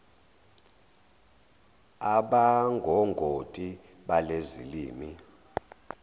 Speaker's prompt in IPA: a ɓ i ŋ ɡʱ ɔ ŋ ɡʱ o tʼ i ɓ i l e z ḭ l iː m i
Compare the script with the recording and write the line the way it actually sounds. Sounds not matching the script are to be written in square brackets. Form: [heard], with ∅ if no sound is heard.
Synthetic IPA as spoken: a ɓ [a] ŋ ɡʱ ɔ ŋ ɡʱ o tʼ i ɓ [a] l e z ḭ l iː m i